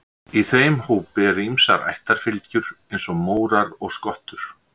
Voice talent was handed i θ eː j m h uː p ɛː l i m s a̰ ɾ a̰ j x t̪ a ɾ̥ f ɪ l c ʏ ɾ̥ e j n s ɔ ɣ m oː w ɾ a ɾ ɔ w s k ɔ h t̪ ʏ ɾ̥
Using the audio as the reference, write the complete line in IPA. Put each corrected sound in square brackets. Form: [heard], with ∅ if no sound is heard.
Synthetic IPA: i θ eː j m h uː p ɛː [ɾ] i m s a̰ ɾ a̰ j [h] t̪ a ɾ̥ f ɪ l c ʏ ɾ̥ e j n s ɔ ɣ m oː w ɾ a ɾ ɔ [ɣ] s k ɔ h t̪ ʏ ɾ̥